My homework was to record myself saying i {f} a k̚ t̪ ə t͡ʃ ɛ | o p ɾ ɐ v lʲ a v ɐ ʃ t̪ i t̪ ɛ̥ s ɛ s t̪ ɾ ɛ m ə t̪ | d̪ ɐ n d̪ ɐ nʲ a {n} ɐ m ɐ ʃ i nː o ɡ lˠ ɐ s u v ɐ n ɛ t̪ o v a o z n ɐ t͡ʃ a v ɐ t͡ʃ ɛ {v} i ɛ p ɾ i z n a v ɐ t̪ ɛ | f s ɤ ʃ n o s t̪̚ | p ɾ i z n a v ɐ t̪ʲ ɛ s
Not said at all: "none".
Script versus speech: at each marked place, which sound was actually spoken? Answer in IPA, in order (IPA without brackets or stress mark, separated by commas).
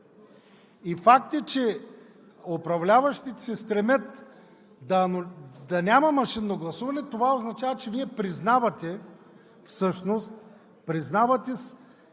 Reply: f, m, v